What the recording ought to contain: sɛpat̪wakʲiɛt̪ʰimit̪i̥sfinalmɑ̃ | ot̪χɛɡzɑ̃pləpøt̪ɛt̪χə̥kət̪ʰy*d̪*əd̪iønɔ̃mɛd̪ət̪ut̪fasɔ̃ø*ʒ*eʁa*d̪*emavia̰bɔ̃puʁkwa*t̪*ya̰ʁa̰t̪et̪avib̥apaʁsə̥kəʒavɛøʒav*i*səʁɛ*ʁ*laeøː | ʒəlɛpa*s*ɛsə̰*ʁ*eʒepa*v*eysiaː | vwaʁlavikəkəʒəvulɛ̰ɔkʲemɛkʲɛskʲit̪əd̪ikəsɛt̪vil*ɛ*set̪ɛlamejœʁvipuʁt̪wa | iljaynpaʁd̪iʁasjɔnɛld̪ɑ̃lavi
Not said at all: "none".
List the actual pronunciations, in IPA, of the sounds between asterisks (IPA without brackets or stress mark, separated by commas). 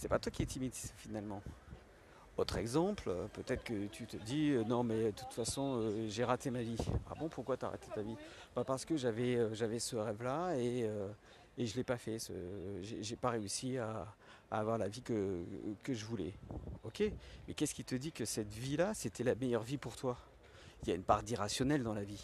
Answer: t̪, ʒ, t̪, t̪, ɛ, v, f, ʒ, ʁ, a